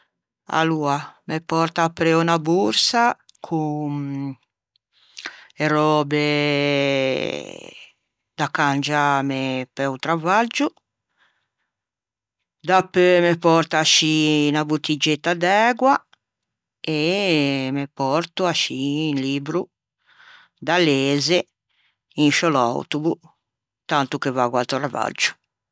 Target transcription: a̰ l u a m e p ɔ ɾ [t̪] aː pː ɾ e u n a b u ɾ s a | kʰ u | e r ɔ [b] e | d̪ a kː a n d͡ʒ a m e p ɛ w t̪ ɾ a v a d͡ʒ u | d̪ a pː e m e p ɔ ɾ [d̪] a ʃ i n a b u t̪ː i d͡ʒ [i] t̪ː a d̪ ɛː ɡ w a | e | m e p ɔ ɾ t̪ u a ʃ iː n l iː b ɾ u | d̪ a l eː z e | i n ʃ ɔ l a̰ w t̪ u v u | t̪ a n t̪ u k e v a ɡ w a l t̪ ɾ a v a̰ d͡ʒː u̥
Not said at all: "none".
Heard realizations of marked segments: t̪, b, t̪, e

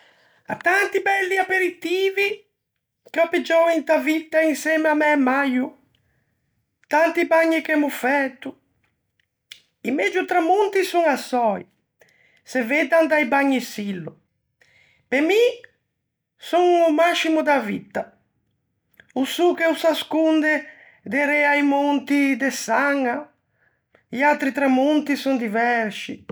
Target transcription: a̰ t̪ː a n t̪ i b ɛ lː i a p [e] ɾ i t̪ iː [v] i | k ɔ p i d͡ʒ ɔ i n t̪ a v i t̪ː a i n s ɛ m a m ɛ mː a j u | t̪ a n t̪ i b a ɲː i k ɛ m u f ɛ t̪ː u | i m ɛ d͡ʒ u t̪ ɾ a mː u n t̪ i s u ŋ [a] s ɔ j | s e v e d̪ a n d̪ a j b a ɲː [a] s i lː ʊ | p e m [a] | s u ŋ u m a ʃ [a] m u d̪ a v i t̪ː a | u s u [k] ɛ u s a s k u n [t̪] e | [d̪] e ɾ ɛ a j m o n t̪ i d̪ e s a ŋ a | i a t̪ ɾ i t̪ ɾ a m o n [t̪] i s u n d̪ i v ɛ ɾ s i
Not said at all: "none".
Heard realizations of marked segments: e, v, a, i, i, i, k, d̪, d̪, t̪

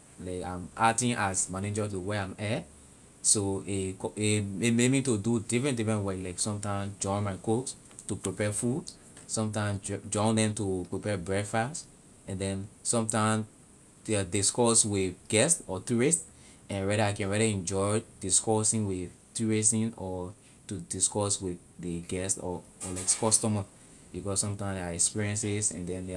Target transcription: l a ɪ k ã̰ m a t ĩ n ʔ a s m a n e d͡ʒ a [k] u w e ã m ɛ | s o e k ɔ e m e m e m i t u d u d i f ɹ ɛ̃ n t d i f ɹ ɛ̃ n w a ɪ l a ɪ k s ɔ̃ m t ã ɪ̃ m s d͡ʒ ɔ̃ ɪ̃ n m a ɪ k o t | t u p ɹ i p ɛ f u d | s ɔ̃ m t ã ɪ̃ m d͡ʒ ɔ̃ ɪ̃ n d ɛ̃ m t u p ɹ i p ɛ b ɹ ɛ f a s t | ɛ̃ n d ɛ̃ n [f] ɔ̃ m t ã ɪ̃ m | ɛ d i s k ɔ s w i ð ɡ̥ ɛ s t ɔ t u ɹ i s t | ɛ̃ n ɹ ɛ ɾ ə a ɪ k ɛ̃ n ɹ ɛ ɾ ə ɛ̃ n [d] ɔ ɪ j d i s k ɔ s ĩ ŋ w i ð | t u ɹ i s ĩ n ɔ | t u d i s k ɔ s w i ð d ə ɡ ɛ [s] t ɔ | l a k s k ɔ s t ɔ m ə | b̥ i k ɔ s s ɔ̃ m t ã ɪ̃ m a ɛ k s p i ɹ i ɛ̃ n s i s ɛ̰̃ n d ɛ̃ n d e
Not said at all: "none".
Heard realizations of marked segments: t, s, d͡ʒ, s

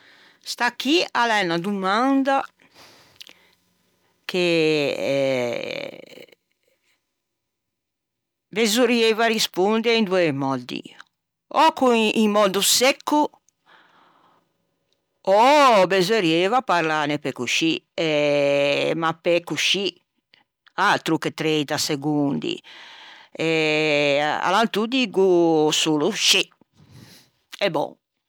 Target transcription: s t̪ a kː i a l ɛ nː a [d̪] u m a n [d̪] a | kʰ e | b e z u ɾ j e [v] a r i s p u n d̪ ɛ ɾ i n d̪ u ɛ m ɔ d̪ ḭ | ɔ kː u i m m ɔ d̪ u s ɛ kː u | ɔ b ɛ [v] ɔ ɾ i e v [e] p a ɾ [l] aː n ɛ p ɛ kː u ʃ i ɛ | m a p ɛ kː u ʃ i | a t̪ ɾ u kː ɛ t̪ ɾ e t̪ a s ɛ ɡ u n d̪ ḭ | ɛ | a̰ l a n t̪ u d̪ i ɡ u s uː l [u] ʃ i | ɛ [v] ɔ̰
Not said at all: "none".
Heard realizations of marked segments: d̪, d̪, v, z, a, l, u, b

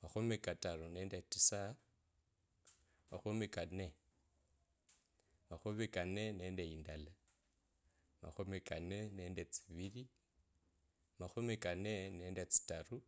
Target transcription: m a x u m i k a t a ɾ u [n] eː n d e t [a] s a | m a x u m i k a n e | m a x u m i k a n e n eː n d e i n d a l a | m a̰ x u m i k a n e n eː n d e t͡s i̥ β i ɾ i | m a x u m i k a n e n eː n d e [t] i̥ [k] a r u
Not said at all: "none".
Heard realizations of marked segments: n, i, t͡s, t

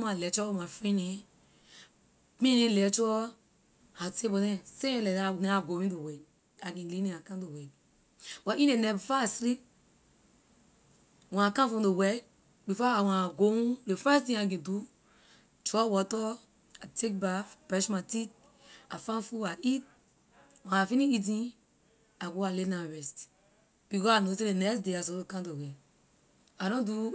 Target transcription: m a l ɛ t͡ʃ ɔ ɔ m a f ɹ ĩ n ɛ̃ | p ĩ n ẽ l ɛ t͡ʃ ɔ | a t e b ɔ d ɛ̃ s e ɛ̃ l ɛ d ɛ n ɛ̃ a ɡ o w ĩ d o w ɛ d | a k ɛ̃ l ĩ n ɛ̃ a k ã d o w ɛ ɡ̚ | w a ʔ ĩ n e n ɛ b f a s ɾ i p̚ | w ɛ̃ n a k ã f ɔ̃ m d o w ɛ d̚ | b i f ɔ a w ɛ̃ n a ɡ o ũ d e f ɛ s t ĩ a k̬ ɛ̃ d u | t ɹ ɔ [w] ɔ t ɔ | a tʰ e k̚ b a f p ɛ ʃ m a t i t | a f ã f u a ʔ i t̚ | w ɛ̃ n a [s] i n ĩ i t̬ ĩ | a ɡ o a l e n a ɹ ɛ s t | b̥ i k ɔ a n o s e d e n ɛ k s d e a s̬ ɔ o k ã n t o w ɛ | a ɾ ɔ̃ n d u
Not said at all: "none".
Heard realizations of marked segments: w, f

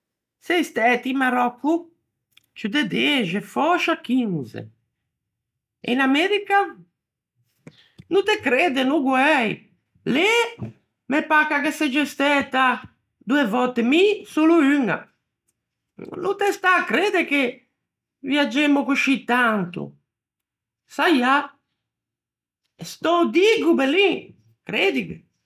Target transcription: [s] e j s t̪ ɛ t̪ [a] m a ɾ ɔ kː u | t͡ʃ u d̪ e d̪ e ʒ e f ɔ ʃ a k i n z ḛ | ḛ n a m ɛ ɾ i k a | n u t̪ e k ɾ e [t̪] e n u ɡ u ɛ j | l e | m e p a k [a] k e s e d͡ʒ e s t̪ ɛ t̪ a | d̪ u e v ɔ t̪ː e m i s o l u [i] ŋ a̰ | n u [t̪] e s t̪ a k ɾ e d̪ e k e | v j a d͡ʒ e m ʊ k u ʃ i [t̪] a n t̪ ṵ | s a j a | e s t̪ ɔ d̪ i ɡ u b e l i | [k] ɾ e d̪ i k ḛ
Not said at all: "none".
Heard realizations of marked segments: s, i, d̪, a, y, t̪, t̪, k

